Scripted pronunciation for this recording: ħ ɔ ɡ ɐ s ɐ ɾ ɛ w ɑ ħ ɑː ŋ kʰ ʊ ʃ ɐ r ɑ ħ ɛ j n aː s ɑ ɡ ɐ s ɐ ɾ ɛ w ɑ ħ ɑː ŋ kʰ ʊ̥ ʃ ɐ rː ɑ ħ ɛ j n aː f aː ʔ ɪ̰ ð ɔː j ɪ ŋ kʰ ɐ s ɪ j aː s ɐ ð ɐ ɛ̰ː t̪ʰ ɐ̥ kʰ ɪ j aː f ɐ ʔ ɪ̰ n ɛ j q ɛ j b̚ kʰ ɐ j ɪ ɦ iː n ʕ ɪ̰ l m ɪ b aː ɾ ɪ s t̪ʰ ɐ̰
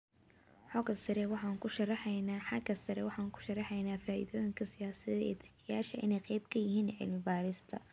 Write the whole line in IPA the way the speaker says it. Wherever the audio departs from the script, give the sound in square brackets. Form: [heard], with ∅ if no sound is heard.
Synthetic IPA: ħ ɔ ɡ ɐ s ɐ ɾ ɛ w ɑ ħ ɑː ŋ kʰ ʊ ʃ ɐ r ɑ ħ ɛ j n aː [ħ] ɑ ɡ ɐ s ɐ ɾ ɛ w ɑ ħ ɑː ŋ kʰ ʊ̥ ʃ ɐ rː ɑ ħ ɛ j n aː f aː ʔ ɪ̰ ð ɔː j ɪ ŋ kʰ ɐ s ɪ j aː s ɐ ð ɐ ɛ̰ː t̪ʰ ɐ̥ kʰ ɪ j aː [ʃ] ɐ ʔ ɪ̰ n ɛ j q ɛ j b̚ kʰ ɐ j ɪ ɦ iː n ʕ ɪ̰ l m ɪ b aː ɾ ɪ s t̪ʰ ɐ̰